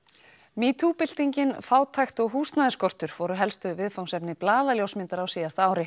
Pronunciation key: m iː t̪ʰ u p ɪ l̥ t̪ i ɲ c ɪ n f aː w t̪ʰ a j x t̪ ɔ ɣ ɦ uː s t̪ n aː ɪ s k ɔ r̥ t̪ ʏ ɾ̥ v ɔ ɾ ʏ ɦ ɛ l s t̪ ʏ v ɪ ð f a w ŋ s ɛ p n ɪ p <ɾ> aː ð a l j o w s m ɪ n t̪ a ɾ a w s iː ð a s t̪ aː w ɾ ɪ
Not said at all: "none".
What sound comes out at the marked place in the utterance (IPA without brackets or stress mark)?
l